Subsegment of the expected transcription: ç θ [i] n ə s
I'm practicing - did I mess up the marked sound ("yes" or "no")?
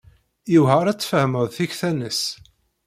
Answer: yes